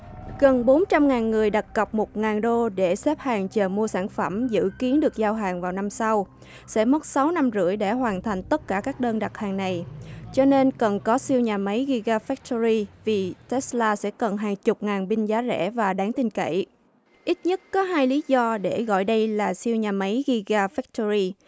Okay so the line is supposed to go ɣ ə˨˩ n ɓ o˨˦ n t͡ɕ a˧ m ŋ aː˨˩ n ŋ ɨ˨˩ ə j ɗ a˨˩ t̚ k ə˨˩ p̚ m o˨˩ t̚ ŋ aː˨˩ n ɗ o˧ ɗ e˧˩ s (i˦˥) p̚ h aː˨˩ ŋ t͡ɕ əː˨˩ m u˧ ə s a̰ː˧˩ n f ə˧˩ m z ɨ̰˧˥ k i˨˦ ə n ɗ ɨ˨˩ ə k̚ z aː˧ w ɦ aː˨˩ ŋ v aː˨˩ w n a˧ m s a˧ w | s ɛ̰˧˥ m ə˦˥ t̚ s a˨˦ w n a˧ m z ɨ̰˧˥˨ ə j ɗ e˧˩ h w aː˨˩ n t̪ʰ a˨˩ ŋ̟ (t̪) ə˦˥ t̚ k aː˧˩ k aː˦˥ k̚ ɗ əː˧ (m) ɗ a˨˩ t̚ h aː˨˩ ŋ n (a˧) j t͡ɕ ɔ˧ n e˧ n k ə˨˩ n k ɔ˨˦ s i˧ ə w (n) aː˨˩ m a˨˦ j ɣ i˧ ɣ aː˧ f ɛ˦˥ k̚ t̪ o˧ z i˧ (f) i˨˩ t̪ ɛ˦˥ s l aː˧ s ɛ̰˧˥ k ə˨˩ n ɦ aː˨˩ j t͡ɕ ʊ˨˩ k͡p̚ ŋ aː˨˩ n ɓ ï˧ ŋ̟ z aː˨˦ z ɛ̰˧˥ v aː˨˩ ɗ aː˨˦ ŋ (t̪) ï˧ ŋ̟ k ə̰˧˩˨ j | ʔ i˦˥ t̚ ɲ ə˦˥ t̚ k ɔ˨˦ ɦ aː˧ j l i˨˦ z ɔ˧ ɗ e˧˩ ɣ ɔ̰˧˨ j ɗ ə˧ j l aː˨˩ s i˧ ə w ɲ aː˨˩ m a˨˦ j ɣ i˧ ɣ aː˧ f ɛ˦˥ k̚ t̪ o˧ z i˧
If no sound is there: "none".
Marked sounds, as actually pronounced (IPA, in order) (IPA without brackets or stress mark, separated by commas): ɛ˦˥, t̪, n, a˨˩, ɲ, v, t̪